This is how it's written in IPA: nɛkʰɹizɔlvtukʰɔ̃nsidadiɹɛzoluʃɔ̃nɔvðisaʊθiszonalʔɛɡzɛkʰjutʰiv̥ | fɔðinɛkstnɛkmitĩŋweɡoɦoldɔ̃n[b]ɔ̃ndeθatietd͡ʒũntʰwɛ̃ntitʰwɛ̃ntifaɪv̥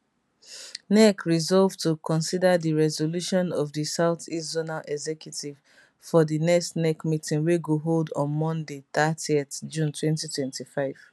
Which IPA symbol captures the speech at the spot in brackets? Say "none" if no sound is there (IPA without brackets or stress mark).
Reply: m